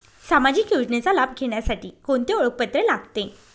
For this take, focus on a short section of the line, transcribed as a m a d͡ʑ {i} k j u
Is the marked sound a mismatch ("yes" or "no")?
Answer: yes